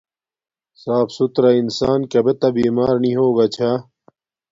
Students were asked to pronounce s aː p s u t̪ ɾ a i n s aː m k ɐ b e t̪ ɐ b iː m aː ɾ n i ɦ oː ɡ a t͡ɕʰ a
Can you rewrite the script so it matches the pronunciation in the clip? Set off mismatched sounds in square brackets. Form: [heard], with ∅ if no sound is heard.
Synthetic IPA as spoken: s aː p s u t̪ ɾ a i n s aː [n] k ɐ b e t̪ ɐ b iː m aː ɾ n i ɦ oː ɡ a t͡ɕʰ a